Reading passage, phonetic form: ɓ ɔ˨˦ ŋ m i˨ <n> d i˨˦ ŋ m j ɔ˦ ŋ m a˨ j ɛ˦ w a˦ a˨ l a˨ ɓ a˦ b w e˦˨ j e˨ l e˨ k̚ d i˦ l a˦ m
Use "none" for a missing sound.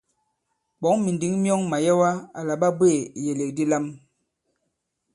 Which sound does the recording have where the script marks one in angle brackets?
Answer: n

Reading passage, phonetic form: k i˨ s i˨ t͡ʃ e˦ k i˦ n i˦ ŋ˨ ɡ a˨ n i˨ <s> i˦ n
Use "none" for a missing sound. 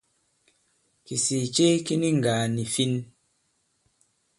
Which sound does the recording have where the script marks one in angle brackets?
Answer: f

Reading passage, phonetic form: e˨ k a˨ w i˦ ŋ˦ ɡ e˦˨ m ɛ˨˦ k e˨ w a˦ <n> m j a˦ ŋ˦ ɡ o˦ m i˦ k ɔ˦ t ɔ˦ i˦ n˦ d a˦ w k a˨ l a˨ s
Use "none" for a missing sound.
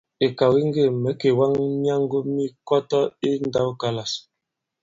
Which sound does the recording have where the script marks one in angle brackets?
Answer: ŋ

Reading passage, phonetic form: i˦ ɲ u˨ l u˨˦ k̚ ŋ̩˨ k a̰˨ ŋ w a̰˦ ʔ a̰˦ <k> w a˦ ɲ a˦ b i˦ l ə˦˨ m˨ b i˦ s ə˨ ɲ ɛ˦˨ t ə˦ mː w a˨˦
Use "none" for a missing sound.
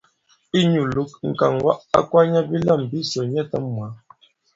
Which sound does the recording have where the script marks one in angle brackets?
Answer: k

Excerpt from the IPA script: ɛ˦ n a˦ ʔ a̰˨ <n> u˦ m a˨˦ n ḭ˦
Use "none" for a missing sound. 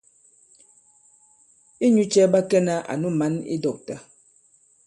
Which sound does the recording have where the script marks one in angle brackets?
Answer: n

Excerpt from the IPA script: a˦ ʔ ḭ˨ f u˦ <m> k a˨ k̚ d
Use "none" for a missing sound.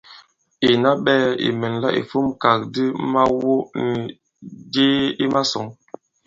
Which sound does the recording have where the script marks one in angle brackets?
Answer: m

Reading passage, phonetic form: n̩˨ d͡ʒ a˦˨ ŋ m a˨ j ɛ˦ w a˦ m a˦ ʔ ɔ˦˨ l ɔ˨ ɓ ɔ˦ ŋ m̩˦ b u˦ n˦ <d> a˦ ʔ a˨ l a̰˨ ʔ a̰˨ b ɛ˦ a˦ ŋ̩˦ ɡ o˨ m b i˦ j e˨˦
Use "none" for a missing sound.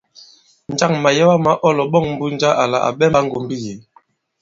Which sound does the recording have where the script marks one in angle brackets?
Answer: d͡ʒ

